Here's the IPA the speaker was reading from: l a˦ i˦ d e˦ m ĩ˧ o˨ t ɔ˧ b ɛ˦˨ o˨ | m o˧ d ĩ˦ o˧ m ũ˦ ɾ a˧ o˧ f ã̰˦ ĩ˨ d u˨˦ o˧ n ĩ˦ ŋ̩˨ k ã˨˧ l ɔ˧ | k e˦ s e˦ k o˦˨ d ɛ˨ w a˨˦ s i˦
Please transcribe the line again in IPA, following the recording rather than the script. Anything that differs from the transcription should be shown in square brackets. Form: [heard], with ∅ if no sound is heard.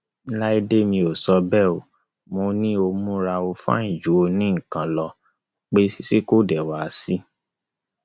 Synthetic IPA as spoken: l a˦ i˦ d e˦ m ĩ˧ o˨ [s] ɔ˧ b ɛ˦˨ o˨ | m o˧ [n] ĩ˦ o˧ m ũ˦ ɾ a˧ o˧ f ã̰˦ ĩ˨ [d͡ʒ] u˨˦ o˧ n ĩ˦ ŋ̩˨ k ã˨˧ l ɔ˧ | [k͡p] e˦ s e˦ k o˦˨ d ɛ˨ w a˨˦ s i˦